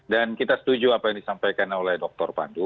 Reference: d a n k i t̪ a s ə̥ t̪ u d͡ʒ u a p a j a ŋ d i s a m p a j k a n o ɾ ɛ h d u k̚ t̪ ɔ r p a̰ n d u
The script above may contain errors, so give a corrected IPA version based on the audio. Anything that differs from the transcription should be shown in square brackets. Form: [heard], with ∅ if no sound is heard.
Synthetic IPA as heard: d a n k i t̪ a s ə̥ t̪ u d͡ʒ u a p a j a ŋ d i s a m p a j k a n o [l] ɛ h d [ɔ] k̚ t̪ ɔ r p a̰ n d u